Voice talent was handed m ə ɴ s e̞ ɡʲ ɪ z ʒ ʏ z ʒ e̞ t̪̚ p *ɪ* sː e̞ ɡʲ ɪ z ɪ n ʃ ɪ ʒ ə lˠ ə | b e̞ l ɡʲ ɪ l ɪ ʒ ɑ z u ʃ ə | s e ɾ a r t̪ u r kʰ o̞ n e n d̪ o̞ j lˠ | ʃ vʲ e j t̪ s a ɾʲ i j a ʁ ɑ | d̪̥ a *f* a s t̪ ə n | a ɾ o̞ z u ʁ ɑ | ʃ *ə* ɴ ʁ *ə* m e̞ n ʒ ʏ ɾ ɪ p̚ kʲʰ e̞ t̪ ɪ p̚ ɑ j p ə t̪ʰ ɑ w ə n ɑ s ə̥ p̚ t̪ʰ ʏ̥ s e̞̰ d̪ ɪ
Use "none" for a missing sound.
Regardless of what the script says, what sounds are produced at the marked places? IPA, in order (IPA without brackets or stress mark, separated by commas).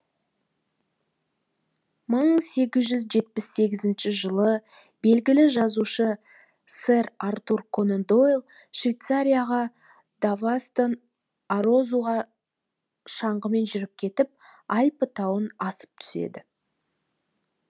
ɪ, v, ɑ, ə